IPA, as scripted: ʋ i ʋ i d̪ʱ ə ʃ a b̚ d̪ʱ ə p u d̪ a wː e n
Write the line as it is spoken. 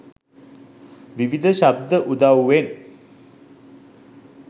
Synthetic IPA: ʋ i ʋ i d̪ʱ ə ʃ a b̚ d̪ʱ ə ʔ u d̪ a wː e n